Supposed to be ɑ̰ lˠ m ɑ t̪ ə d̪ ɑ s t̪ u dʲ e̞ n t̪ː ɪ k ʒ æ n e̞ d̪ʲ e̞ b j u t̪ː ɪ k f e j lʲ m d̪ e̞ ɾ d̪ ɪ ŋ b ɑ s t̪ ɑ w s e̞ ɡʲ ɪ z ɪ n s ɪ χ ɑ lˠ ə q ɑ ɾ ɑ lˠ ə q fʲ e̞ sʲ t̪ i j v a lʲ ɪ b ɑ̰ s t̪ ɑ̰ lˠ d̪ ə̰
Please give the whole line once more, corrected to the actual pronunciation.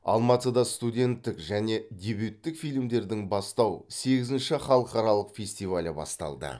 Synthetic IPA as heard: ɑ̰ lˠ m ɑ t̪ ə d̪ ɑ s t̪ u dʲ e̞ n t̪ː ɪ k ʒ æ n e̞ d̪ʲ e̞ b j u t̪ː ɪ k f i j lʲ m d̪ e̞ ɾ d̪ ɪ ŋ b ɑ s t̪ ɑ w s e̞ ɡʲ ɪ z ɪ n ʃ ɪ χ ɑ lˠ ə q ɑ ɾ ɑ lˠ ə q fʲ e̞ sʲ t̪ i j v a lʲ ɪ b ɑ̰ s t̪ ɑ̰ lˠ d̪ ə̰